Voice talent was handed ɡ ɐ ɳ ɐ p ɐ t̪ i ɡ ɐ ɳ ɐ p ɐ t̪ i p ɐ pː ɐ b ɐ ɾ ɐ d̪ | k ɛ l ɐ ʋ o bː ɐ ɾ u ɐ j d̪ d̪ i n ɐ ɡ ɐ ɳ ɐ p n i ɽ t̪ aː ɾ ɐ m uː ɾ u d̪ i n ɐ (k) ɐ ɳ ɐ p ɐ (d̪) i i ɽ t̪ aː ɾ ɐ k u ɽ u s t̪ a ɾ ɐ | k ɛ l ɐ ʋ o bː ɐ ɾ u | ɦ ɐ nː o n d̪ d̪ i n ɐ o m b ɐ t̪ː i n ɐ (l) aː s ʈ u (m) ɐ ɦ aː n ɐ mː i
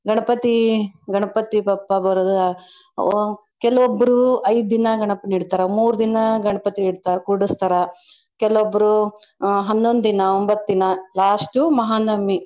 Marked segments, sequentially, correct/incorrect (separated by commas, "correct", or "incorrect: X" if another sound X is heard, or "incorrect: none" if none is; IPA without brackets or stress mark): incorrect: ɡ, incorrect: t̪, correct, correct